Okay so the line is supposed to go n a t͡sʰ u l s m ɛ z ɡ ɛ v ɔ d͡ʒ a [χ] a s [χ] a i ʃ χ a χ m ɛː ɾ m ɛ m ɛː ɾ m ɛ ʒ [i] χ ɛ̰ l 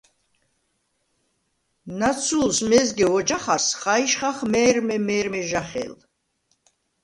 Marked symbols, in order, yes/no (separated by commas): yes, yes, no